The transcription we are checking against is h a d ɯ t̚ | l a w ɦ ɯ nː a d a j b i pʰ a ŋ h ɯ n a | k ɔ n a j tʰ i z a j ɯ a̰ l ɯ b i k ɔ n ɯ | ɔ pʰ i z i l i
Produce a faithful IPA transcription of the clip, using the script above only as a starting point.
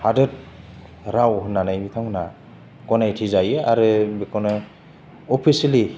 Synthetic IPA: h a d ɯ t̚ | ɾ a w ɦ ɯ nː a n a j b i tʰ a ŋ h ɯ n a | k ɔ n a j tʰ i z a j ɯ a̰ ɾ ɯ b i k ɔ n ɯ | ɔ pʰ i s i l i